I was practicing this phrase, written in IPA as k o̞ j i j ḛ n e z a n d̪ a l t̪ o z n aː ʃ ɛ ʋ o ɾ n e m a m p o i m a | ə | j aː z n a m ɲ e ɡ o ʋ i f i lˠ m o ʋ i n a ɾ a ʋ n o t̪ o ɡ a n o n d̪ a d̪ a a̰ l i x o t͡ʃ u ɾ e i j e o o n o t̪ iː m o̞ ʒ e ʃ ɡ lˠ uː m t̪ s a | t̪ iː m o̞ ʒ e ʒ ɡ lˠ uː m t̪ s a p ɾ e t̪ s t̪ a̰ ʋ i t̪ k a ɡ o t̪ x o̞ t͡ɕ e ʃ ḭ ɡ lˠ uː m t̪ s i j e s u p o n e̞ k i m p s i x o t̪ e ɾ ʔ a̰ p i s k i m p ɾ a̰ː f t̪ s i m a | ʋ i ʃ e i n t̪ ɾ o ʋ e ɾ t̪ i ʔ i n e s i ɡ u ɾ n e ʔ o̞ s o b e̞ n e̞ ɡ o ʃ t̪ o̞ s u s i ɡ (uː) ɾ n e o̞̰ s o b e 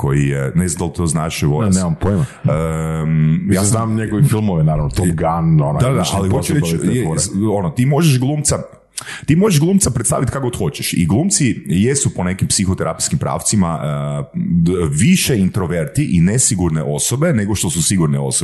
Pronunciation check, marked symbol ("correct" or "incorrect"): incorrect